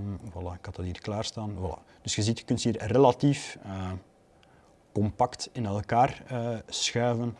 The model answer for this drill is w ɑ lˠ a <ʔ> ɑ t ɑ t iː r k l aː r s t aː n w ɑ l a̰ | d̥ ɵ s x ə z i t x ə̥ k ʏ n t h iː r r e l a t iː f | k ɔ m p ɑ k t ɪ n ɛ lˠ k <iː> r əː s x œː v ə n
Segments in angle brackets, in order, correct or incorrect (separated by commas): incorrect, incorrect